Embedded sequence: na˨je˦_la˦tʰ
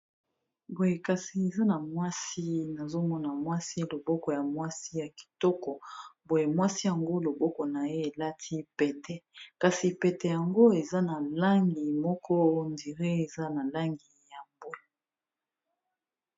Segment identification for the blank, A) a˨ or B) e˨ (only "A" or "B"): B